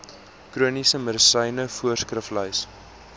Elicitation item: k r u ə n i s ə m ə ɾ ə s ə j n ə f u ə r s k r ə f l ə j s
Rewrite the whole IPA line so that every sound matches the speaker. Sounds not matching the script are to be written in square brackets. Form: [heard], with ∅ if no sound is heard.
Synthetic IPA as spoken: k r u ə n i s ə m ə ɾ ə s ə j n ə f u ə r s k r ə f l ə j s